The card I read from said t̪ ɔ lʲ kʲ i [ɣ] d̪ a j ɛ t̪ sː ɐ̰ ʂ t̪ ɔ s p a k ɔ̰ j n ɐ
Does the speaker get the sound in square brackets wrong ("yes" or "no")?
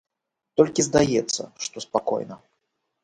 yes